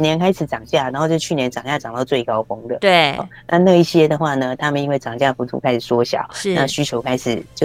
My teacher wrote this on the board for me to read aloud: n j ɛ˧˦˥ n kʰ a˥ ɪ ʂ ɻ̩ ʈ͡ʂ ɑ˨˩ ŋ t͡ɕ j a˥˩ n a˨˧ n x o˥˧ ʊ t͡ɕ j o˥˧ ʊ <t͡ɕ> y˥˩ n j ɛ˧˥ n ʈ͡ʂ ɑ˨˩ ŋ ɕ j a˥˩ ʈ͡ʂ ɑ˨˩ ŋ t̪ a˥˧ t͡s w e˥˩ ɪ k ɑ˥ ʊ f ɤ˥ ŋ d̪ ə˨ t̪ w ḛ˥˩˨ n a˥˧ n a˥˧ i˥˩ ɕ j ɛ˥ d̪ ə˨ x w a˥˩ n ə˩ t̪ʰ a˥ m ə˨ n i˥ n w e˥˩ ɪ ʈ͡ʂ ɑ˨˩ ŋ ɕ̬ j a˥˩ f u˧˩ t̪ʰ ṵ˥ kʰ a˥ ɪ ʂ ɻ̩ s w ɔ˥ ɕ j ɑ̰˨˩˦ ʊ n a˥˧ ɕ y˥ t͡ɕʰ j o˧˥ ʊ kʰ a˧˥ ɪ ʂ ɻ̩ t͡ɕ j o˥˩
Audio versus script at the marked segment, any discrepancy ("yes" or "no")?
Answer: yes